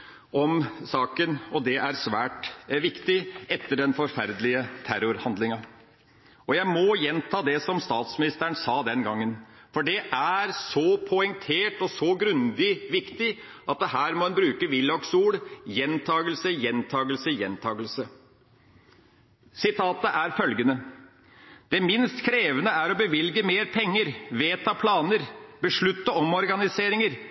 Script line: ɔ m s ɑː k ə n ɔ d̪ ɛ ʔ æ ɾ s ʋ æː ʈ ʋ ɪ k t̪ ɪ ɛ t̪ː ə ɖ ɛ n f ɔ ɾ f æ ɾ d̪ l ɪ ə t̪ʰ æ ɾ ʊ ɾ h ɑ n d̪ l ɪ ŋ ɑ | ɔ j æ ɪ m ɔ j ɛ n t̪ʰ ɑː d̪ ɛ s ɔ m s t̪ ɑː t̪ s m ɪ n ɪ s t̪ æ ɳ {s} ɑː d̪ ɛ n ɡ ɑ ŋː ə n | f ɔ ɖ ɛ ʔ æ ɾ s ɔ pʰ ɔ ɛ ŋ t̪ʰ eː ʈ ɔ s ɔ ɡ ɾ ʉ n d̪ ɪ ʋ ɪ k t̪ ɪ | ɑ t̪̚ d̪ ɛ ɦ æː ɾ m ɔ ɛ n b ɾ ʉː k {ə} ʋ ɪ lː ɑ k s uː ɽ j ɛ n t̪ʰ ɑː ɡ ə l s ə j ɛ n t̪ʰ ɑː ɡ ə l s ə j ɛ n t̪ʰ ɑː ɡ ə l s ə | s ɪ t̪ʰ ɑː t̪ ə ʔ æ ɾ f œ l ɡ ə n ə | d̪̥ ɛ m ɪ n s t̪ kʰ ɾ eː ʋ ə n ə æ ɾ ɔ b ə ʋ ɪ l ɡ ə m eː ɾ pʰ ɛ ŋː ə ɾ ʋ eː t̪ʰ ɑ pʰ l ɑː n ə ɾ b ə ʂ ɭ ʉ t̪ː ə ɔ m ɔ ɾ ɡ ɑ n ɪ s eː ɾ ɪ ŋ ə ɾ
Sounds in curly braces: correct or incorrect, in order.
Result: correct, correct

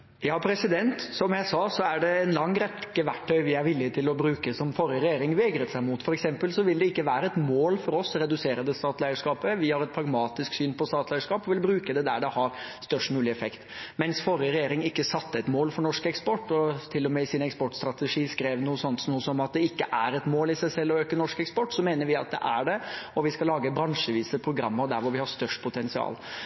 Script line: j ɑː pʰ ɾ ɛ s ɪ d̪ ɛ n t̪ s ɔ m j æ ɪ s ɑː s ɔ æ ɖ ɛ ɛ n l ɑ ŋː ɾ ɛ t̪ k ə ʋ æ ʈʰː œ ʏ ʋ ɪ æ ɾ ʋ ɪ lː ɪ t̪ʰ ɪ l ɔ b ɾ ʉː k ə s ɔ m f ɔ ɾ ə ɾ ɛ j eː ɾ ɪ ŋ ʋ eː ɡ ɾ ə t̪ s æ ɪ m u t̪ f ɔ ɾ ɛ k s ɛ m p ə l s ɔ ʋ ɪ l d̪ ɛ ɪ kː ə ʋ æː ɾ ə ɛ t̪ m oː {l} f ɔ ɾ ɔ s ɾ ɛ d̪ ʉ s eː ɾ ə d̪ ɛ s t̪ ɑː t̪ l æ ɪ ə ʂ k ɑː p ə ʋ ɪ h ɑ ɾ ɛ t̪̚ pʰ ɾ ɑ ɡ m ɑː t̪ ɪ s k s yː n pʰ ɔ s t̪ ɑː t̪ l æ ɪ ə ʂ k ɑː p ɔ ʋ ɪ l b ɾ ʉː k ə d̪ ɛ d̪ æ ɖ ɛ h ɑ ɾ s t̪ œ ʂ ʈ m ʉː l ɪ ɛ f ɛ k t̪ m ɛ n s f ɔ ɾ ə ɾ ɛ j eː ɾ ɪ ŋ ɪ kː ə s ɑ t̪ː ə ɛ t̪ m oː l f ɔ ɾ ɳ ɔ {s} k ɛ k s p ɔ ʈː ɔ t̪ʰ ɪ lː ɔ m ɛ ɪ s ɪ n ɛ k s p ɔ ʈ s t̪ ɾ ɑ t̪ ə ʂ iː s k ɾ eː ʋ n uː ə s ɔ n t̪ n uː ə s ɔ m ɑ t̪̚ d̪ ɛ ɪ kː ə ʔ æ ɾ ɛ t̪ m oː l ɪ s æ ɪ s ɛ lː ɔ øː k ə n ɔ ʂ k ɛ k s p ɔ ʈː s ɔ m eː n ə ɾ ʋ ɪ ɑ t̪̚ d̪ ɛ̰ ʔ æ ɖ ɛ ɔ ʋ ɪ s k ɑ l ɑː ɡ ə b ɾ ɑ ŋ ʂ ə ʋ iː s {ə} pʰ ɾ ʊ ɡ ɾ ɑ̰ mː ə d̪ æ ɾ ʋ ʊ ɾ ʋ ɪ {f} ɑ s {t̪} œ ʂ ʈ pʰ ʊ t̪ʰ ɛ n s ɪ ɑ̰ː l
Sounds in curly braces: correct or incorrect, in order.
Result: correct, incorrect, correct, incorrect, correct

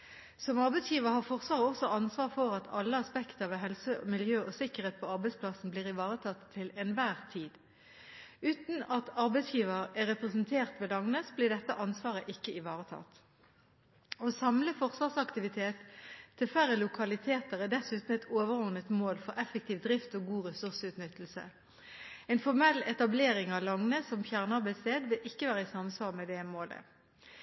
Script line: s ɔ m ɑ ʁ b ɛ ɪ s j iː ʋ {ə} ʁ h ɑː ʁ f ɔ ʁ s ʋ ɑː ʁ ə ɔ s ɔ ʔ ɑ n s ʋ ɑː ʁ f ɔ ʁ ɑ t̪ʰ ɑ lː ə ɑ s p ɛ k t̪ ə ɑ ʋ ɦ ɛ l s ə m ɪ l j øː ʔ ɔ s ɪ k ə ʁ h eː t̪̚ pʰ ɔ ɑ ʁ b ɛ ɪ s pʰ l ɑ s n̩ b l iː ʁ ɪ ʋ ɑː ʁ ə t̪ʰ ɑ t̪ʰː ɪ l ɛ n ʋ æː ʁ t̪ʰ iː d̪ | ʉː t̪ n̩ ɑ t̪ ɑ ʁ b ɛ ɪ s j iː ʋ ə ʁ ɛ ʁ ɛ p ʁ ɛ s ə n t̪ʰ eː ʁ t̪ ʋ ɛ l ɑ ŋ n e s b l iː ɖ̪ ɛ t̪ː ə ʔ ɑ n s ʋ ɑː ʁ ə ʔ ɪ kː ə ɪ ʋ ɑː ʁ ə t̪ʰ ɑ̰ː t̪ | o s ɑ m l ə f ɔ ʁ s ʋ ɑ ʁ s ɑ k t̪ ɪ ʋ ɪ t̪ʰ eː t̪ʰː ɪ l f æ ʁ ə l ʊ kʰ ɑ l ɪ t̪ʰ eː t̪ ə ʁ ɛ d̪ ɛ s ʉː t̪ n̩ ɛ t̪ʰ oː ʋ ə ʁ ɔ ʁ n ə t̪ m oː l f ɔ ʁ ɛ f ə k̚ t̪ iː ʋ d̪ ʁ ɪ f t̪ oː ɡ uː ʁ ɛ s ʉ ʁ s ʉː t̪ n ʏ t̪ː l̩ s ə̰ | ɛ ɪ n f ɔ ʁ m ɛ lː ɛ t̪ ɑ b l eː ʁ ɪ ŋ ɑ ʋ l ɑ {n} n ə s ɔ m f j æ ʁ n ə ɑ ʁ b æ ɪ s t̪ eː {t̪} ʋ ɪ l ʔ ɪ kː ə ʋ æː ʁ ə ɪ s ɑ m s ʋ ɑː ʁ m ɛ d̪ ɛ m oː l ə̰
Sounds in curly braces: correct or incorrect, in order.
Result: correct, incorrect, incorrect

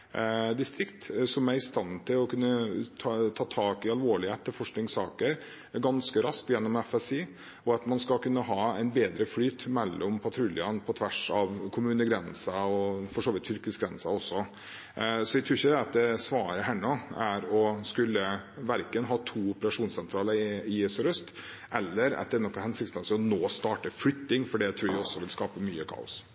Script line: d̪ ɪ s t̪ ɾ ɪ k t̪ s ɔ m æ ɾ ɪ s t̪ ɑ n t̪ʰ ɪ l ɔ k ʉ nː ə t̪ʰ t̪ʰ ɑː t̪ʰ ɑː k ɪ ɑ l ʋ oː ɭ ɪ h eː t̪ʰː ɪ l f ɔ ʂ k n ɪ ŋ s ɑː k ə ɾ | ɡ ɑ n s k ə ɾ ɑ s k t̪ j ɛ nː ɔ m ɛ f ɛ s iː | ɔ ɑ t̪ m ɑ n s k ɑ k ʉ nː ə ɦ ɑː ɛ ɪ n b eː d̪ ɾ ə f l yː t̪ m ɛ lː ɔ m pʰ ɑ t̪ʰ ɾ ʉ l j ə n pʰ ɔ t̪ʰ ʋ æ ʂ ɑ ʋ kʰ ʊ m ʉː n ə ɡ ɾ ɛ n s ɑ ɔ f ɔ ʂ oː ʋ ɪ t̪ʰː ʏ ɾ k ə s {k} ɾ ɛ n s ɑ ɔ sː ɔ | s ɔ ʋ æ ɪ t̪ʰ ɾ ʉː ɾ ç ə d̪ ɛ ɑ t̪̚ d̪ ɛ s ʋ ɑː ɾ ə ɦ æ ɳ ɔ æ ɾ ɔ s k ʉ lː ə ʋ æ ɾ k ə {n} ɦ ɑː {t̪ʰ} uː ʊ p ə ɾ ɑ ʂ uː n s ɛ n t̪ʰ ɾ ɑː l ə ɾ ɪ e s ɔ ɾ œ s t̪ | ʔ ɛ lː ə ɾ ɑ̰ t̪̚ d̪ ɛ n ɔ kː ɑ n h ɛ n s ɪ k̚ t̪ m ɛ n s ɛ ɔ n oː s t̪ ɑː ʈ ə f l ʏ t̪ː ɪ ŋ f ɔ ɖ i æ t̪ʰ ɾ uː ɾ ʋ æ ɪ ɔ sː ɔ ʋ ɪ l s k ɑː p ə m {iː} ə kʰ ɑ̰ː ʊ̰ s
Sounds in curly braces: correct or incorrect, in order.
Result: incorrect, correct, correct, incorrect

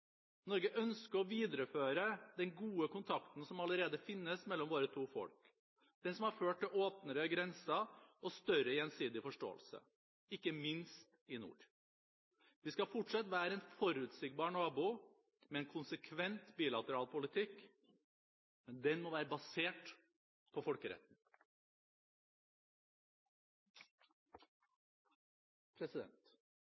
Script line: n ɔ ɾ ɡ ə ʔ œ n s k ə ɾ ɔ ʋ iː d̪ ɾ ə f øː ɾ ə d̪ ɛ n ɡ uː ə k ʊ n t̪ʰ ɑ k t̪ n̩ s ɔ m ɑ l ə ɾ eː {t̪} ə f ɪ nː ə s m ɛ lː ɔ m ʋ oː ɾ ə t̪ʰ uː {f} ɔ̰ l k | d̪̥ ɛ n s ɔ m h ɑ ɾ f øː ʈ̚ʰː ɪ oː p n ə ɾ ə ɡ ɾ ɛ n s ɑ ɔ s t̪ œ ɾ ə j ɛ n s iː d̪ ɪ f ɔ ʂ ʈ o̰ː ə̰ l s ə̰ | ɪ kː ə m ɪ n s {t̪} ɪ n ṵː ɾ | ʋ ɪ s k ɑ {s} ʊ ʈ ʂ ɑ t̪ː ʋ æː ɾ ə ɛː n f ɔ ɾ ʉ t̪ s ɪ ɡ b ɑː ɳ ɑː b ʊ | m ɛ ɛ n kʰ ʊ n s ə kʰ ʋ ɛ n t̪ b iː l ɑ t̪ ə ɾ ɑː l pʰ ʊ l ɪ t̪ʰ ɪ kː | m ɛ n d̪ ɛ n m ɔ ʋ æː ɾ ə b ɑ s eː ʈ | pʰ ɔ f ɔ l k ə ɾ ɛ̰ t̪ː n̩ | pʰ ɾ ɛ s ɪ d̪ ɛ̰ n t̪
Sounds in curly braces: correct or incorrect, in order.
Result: incorrect, correct, correct, incorrect

